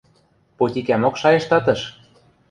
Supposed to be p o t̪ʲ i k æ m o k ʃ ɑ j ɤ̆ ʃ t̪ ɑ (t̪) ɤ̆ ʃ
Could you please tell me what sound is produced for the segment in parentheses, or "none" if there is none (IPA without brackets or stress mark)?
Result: t̪